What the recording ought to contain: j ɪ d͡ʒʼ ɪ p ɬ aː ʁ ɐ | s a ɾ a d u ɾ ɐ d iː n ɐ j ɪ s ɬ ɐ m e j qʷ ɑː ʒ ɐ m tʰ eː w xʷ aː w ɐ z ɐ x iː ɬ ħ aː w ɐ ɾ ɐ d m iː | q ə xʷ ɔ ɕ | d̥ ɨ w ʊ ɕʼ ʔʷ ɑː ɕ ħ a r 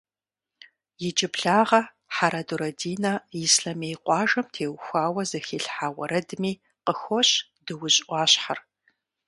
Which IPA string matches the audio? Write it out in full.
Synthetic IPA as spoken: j ɪ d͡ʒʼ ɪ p ɬ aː ʁ ɐ | ħ a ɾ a d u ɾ ɐ d iː n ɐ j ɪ s ɬ ɐ m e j qʷ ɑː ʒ ɐ m tʰ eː w xʷ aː w ɐ z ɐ x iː ɬ ħ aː w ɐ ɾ ɐ d m iː | q ə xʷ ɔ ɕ | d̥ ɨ w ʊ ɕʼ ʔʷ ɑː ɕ ħ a r